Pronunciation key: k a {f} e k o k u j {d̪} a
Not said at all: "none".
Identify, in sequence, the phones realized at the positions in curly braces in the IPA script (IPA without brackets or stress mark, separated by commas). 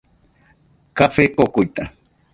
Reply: f, t̪